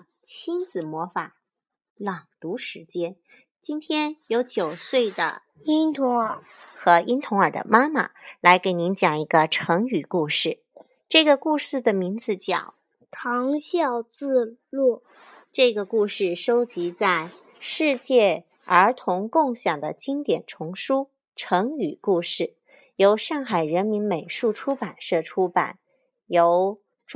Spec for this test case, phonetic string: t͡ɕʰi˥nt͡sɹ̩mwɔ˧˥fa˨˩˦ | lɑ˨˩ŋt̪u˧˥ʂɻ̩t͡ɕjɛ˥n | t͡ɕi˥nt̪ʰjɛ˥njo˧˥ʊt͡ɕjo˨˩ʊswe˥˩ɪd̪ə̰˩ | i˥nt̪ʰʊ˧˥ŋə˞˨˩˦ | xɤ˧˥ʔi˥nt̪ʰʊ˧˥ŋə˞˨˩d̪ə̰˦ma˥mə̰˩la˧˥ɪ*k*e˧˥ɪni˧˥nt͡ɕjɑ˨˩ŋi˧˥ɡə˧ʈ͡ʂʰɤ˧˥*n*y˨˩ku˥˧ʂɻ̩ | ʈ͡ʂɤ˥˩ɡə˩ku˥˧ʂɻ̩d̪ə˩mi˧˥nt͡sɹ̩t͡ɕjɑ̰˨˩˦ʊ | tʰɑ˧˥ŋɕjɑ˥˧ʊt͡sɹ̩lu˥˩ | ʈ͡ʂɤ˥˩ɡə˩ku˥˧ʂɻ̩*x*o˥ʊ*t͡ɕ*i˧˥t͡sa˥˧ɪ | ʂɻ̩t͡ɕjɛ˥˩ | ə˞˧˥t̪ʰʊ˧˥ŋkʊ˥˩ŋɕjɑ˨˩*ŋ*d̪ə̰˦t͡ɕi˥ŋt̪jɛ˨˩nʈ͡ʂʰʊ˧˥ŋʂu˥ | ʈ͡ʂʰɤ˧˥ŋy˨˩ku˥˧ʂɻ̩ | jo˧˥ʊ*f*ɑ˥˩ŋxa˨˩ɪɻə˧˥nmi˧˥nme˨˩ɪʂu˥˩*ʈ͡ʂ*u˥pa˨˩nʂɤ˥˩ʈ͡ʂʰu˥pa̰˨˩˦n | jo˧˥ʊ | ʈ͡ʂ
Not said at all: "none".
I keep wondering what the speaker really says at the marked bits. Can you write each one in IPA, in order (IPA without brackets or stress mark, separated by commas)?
k, ŋ, ʂ, t͡ɕ, ŋ, ʂ, ʈ͡ʂʰ